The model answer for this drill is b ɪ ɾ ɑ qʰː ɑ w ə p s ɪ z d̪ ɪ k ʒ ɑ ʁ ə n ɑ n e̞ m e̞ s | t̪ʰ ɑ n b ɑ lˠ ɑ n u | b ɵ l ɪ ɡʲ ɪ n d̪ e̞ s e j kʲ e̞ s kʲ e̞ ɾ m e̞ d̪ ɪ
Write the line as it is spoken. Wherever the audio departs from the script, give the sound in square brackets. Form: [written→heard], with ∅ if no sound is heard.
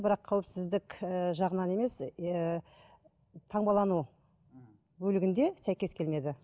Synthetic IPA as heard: b ɪ ɾ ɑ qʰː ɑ w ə p s ɪ z d̪ ɪ k ʒ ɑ ʁ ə n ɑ n e̞ m e̞ s | t̪ʰ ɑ [n→ɴ] b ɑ lˠ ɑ n u | b ɵ l ɪ ɡʲ ɪ n d̪ e̞ s [e→æ] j kʲ e̞ s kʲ e̞ [ɾ→l] m e̞ d̪ ɪ